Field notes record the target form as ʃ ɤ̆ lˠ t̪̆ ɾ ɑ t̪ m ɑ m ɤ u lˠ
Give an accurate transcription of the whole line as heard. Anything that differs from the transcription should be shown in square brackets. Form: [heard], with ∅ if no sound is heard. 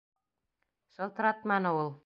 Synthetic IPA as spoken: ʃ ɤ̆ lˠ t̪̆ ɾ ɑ t̪ m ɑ [n] ɤ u lˠ